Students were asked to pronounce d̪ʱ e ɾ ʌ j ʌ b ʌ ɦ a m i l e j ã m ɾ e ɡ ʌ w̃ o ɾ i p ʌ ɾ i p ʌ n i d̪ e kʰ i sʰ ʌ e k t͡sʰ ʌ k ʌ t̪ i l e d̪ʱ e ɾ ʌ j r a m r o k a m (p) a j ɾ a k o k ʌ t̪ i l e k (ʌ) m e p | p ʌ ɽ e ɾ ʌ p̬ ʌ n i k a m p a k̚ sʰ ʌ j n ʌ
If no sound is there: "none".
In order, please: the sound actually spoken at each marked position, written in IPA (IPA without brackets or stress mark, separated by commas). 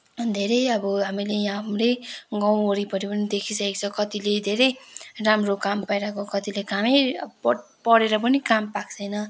p, a